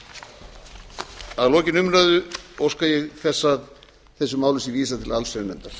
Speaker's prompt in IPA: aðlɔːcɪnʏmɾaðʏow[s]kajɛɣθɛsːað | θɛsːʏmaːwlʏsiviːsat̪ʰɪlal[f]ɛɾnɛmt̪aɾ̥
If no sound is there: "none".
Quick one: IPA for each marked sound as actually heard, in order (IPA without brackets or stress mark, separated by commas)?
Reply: s, s